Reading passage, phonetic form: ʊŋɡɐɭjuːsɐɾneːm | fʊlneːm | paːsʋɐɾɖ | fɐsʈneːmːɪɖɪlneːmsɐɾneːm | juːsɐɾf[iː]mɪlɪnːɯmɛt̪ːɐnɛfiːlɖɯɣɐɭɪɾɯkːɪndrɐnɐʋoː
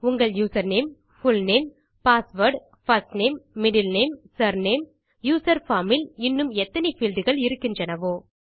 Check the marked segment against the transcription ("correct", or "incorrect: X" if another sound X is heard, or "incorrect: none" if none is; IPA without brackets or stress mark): incorrect: aː